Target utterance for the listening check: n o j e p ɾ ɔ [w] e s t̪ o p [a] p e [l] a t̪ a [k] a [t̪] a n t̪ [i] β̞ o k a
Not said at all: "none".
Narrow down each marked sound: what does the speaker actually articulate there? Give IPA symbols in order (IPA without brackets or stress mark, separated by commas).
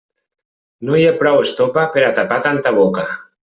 w, a, ɾ, p, t̪, a